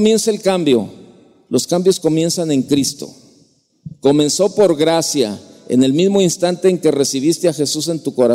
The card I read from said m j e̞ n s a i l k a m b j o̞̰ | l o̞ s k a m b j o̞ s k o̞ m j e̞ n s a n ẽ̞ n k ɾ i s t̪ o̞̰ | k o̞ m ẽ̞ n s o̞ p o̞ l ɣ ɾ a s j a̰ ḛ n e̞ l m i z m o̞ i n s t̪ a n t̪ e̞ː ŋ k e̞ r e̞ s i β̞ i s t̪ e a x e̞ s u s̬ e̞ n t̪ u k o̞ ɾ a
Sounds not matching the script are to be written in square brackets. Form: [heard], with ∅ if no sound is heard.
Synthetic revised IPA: m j e̞ n s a [e] l k a m b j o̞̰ | l o̞ s k a m b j o̞ s k o̞ m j e̞ n s a n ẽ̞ [ŋ] k ɾ i s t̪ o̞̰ | k o̞ m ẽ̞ n s o̞ p o̞ [ɾ] ɣ ɾ a s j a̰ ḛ n e̞ l m i z m o̞ i n s t̪ a n t̪ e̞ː ŋ k e̞ r e̞ s i β̞ i s t̪ e a x e̞ s u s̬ e̞ n t̪ u k o̞ ɾ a